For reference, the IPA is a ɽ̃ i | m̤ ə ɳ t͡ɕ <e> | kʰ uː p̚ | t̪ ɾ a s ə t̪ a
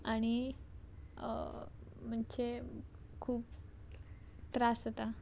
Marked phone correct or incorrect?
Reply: correct